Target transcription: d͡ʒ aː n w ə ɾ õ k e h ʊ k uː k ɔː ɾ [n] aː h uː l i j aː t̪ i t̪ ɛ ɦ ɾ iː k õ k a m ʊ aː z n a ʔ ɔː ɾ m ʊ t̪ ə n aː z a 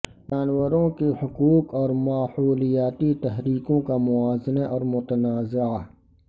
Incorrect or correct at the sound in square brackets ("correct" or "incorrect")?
incorrect